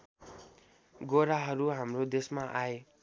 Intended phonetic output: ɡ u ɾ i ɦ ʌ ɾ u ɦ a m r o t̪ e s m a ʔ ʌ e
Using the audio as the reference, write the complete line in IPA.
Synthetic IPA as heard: ɡ o ɾ a ɦ ʌ ɾ u ɦ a m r o d̪ e s m a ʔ a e